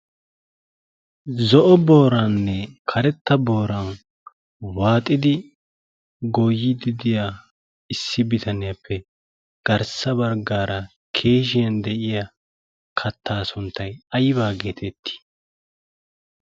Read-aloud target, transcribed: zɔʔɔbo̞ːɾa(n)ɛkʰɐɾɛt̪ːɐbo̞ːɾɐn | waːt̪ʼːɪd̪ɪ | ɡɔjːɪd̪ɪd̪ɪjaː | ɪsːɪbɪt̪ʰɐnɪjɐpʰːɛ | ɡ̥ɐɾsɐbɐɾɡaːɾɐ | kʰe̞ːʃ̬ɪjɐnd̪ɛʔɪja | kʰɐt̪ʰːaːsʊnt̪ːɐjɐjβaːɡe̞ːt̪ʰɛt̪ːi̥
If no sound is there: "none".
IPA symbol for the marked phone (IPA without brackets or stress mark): nː